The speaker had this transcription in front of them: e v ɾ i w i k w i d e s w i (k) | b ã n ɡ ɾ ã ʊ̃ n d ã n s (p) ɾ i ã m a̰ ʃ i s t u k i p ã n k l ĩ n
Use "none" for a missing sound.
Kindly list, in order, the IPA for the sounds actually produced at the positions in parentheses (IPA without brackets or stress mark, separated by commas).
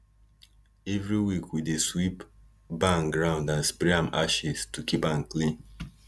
p, p